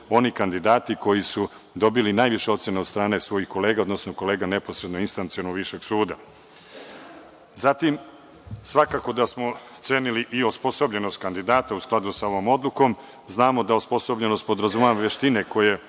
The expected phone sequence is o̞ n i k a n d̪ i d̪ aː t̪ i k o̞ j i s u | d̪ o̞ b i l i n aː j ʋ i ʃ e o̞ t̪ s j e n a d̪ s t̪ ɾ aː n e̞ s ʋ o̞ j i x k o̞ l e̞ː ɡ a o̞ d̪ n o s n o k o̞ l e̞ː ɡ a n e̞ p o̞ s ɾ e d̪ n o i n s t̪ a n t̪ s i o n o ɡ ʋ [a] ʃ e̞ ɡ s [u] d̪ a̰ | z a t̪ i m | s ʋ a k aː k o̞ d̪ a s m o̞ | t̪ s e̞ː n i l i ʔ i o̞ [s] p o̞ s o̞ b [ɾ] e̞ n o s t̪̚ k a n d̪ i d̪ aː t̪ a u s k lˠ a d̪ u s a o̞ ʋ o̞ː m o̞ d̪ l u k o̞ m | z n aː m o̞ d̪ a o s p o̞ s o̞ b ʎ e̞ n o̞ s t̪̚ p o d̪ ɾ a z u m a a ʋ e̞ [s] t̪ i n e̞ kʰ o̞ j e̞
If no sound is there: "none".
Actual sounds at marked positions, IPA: i, uː, s, ʎ, ʃ

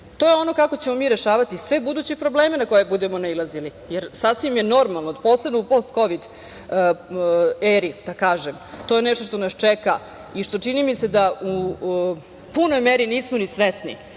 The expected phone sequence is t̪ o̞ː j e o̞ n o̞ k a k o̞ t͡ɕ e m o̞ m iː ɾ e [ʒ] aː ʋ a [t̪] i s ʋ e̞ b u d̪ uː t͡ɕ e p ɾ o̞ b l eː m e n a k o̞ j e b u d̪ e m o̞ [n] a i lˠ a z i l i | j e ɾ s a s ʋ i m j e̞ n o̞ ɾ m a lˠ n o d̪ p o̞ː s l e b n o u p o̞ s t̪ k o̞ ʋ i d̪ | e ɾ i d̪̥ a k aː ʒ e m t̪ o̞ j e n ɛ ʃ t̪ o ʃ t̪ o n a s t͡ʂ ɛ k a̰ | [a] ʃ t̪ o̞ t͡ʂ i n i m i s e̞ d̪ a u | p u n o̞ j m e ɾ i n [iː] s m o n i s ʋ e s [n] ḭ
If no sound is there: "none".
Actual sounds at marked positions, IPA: ʃ, t̪, n, i, iː, n

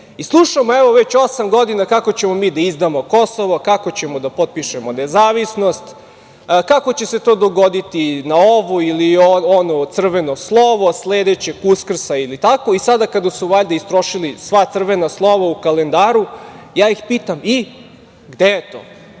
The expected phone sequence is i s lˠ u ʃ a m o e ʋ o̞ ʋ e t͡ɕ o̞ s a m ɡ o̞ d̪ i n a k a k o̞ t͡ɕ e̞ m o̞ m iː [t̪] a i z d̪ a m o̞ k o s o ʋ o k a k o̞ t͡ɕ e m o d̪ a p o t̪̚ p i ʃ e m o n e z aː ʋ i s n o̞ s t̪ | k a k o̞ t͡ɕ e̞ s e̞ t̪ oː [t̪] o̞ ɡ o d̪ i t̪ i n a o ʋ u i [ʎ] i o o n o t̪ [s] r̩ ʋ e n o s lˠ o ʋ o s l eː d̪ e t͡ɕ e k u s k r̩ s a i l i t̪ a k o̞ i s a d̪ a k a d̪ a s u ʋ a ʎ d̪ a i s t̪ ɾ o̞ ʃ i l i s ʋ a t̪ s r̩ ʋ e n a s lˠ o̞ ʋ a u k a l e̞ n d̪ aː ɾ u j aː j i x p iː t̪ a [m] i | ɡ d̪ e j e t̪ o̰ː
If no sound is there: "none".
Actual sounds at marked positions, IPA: d̪, d̪, l, s, m

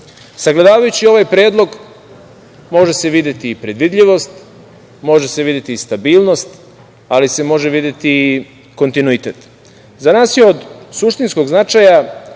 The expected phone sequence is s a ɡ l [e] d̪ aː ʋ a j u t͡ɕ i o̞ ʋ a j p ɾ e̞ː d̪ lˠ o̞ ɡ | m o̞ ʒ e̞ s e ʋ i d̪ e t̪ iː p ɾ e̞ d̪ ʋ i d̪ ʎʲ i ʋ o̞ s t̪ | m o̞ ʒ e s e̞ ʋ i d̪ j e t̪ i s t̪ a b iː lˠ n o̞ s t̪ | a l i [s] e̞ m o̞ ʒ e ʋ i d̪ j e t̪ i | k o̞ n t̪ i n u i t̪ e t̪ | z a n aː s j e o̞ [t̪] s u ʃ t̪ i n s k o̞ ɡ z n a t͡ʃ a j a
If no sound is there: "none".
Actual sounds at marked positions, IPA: e, s, d̪

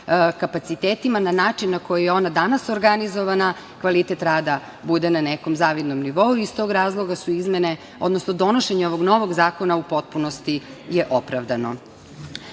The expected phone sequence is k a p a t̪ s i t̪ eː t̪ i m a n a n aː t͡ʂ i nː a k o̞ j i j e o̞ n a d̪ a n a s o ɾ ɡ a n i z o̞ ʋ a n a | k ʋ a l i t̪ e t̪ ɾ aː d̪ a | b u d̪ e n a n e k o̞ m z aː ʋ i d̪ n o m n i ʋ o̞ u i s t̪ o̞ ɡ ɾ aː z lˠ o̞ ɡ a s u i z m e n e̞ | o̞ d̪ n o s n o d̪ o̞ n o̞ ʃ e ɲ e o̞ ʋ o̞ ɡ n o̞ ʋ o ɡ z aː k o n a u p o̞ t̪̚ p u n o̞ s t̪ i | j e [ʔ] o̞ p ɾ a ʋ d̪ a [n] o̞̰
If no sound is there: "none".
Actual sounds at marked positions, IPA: ʔ, n

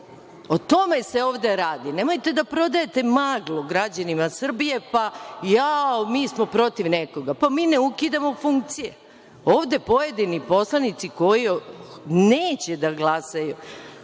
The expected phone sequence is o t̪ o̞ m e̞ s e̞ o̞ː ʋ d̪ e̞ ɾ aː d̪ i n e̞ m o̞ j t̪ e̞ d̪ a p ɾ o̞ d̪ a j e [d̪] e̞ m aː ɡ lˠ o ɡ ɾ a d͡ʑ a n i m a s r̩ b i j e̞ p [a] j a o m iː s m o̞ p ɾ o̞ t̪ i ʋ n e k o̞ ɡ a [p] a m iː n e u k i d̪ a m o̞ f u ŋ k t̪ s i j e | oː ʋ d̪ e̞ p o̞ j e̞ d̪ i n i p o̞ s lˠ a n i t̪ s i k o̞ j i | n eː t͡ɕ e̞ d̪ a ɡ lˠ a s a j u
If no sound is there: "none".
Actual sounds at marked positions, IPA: t̪, a, p

